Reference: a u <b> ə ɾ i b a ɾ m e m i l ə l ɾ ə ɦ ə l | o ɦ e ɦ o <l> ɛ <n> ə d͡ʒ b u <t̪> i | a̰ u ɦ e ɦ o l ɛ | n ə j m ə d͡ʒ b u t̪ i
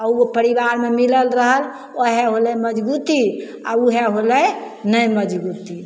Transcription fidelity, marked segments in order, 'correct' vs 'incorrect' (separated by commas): incorrect, correct, incorrect, correct